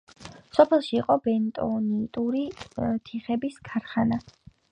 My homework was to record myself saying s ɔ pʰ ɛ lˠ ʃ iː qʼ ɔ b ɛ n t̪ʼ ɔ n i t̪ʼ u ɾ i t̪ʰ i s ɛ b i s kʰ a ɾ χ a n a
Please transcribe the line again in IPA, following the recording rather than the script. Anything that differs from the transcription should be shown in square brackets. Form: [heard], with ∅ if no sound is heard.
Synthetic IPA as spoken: s ɔ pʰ ɛ lˠ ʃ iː qʼ ɔ b ɛ n t̪ʼ ɔ n i t̪ʼ u ɾ i t̪ʰ i [χ] ɛ b i s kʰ a ɾ χ a n a

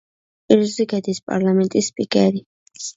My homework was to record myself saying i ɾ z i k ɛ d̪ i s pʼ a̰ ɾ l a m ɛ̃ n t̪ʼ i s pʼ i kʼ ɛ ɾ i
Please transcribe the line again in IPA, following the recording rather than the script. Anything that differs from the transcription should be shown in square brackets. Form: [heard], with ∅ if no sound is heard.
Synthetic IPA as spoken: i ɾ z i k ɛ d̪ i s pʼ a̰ ɾ l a m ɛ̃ n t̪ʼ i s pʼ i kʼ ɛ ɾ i

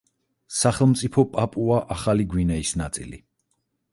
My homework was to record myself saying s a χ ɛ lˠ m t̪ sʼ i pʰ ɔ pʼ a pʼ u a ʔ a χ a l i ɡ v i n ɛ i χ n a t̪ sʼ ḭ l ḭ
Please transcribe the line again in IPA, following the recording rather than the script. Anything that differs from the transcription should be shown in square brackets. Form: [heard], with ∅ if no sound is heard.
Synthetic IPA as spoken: s a χ ɛ lˠ m t̪ sʼ i pʰ ɔ pʼ a pʼ u a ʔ a χ a l i ɡ [w] i n ɛ i [s] n a t̪ sʼ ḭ l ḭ

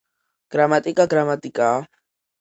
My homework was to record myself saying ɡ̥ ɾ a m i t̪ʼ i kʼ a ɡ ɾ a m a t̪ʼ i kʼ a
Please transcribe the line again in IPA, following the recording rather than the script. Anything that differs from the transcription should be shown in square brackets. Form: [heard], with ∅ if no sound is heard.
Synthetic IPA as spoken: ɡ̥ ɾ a m [a] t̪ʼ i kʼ a ɡ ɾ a m a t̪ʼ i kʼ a

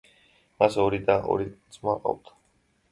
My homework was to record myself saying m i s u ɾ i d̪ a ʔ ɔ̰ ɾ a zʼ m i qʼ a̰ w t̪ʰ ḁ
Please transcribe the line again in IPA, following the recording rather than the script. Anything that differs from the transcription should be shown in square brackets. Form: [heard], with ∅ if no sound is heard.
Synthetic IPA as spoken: m [a] s [ɔ] ɾ i d̪ a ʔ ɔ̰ ɾ [i] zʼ m [a] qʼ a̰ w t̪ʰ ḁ

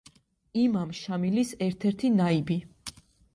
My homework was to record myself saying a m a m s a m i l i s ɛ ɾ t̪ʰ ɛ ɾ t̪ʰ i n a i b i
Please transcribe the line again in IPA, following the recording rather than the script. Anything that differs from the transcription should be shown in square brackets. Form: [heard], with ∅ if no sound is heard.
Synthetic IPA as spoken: [i] m a m [ʃ] a m i l i s ɛ ɾ t̪ʰ ɛ ɾ t̪ʰ i n a i b i

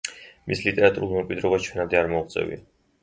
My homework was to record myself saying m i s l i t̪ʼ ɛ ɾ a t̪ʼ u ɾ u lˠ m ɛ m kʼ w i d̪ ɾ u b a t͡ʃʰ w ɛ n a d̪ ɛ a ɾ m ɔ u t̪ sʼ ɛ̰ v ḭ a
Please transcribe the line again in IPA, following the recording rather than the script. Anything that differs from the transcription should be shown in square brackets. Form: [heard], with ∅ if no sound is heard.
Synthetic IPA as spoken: m i s l i t̪ʼ ɛ ɾ a t̪ʼ u ɾ u lˠ m ɛ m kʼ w i d̪ ɾ [ɔ] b a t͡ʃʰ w ɛ n a d̪ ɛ a ɾ m ɔ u t̪ sʼ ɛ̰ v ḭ a

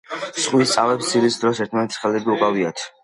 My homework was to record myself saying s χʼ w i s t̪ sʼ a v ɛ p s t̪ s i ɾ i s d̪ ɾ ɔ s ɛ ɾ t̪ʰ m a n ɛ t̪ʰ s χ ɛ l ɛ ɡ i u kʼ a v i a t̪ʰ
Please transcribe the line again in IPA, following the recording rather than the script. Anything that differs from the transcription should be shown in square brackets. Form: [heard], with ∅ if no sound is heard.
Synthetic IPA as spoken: s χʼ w i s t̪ sʼ a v ɛ p s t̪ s i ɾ i s d̪ ɾ ɔ s ɛ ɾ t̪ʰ m a n ɛ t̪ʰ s χ ɛ l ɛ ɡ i u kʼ a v i a t̪ʰ

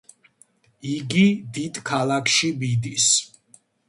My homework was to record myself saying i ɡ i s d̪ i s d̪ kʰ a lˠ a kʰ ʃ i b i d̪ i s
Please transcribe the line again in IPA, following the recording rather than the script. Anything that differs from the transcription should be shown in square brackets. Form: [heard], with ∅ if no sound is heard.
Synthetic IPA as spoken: i ɡ i [∅] d̪ i [∅] d̪ kʰ a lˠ a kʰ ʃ i b i d̪ i s

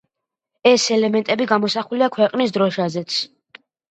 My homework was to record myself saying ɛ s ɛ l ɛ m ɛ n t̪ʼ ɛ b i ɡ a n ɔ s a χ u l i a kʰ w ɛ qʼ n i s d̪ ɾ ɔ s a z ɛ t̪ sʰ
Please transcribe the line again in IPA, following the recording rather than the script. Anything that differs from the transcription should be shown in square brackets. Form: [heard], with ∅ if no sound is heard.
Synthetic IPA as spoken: ɛ s ɛ l ɛ m ɛ n t̪ʼ ɛ b i ɡ a [m] ɔ s a χ u l i a kʰ w ɛ qʼ n i s d̪ ɾ ɔ [ʃ] a z ɛ t̪ sʰ

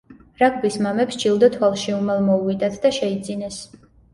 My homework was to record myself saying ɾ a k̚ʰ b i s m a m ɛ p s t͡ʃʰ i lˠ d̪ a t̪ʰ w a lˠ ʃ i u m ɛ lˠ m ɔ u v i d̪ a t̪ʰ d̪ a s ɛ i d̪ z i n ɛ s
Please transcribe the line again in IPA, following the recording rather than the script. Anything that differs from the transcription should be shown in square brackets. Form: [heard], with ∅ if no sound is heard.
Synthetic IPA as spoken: ɾ a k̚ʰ b i s m a m ɛ p s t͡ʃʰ i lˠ d̪ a t̪ʰ w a lˠ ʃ i u m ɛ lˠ m ɔ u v i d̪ a t̪ʰ d̪ a [ʃ] ɛ i d̪ z i n ɛ s

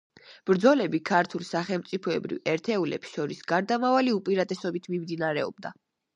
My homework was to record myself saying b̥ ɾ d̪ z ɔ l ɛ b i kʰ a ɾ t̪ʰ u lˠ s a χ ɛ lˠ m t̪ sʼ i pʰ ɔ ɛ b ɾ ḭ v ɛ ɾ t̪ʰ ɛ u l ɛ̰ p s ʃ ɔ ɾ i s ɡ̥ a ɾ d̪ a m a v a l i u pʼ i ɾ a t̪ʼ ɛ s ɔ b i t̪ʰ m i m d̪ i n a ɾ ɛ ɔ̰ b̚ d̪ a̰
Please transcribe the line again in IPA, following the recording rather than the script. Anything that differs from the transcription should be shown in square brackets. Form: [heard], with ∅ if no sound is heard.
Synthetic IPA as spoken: b̥ ɾ d̪ z ɔ l ɛ b i kʰ a ɾ t̪ʰ u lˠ s a χ ɛ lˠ m t̪ sʼ i pʰ ɔ ɛ b ɾ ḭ v ɛ ɾ t̪ʰ ɛ u l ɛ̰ p s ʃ ɔ ɾ i s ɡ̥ a ɾ d̪ a m a v a l i u pʼ i ɾ a t̪ʼ ɛ s ɔ b i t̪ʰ m i m d̪ i n a ɾ ɛ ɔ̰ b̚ d̪ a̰

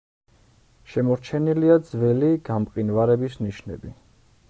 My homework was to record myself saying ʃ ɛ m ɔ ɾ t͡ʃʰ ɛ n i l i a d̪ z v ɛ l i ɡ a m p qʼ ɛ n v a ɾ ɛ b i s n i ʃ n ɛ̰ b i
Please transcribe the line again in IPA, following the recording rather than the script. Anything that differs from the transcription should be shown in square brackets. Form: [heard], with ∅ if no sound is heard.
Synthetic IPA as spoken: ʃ ɛ m ɔ ɾ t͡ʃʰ ɛ n i l i a d̪ z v ɛ l i ɡ a m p qʼ [i] n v a ɾ ɛ b i s n i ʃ n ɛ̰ b i

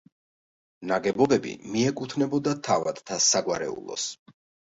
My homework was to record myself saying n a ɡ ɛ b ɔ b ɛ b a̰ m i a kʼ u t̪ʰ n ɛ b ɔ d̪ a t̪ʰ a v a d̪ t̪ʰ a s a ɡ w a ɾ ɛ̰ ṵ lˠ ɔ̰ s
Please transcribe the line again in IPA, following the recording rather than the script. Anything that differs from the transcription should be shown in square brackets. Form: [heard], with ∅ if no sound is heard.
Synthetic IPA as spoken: n a ɡ ɛ b ɔ b ɛ b [ḭ] m i [ɛ] kʼ u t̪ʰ n ɛ b ɔ d̪ a t̪ʰ a v a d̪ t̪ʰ a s a ɡ w a ɾ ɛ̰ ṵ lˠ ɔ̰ s

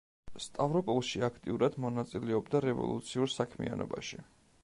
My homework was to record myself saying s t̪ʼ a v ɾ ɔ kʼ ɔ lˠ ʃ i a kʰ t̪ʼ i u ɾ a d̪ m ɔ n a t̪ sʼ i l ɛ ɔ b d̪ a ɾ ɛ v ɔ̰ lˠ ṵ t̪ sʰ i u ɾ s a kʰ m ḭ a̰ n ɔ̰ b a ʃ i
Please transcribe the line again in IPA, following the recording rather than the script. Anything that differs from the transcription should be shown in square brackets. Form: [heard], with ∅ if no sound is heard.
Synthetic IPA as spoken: s t̪ʼ a v ɾ ɔ [pʼ] ɔ lˠ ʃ i a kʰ t̪ʼ i u ɾ a d̪ m ɔ n a t̪ sʼ i l ɛ ɔ b d̪ a ɾ ɛ v ɔ̰ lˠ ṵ t̪ sʰ i u ɾ s a kʰ m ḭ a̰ n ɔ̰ b a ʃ i

